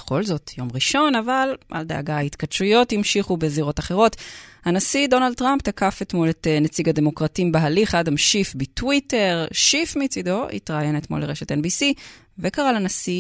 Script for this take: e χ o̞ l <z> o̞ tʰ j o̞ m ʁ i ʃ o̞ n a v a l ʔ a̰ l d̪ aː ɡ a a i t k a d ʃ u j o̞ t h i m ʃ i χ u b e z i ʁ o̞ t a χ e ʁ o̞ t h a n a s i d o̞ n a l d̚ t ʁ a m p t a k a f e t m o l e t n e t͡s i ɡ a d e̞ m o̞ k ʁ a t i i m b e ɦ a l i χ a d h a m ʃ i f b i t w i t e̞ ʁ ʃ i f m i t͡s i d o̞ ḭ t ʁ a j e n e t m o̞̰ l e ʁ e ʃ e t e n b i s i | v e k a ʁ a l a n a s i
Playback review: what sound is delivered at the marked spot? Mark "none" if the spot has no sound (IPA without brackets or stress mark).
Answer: z